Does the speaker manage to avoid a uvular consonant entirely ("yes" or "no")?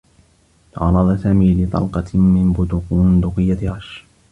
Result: no